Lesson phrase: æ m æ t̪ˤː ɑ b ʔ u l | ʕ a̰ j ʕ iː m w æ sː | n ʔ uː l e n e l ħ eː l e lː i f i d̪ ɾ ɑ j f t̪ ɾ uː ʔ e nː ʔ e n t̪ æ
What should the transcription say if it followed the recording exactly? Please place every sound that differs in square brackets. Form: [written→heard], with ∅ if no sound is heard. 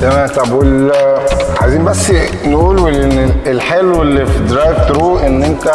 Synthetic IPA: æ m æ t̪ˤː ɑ b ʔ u l | ʕ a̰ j [ʕ→z] iː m [w→b] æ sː | n ʔ uː l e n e l ħ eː l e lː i f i d̪ ɾ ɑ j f t̪ ɾ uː ʔ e nː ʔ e n t̪ æ